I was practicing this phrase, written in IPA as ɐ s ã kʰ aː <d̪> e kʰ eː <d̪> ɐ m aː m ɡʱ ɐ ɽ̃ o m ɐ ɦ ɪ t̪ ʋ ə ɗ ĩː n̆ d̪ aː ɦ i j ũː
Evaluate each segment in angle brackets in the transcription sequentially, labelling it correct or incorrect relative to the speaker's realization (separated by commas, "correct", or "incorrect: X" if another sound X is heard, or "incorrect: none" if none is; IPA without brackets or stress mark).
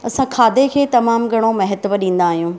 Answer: correct, incorrect: t̪